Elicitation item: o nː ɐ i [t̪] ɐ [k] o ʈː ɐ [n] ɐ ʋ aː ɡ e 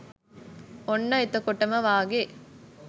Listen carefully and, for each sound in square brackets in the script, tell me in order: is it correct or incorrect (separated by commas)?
correct, correct, incorrect